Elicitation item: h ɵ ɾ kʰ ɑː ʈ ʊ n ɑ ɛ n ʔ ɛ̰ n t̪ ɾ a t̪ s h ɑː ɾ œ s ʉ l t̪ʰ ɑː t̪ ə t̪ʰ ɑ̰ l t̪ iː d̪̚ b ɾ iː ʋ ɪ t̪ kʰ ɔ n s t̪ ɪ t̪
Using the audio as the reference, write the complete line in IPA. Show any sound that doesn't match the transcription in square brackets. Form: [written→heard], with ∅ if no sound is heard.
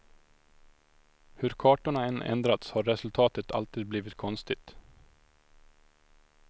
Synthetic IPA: h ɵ ɾ kʰ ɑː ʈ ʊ [n→ɳ] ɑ ɛ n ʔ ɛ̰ n [t̪→d̪] ɾ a t̪ s h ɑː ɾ [œ→ɛ] s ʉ l t̪ʰ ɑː t̪ ə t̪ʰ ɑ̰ l t̪ iː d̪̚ b [ɾ→l] iː ʋ ɪ t̪ kʰ ɔ n s t̪ ɪ t̪